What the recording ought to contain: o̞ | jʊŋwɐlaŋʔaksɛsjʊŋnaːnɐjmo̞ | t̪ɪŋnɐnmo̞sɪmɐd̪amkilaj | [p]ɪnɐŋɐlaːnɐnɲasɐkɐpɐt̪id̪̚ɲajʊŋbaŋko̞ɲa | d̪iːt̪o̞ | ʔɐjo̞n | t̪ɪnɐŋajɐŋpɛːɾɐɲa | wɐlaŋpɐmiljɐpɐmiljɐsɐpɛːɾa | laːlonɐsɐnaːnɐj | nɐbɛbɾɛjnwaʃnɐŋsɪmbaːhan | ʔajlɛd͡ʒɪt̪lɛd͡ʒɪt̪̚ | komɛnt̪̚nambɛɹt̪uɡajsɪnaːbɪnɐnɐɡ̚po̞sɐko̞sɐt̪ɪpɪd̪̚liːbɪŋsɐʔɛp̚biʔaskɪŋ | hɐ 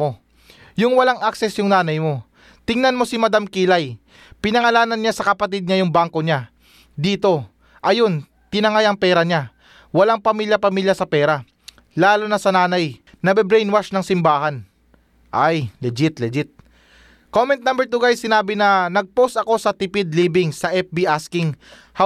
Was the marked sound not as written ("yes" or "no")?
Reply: no